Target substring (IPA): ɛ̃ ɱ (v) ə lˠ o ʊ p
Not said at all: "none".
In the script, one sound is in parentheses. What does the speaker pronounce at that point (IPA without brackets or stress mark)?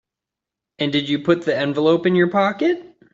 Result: v